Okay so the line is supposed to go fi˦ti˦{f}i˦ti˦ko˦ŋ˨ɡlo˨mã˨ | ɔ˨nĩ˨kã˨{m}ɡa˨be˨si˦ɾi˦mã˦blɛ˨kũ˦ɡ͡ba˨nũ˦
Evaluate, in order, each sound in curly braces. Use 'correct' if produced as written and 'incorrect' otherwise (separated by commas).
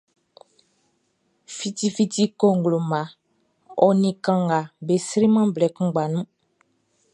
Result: correct, incorrect